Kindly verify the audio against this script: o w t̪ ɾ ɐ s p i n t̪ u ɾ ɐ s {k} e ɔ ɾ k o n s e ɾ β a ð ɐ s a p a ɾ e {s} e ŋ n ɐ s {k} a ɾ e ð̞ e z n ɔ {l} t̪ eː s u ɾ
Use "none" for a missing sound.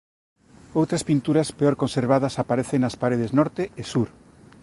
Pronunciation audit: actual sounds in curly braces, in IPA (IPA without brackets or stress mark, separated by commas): p, θ, p, ɾ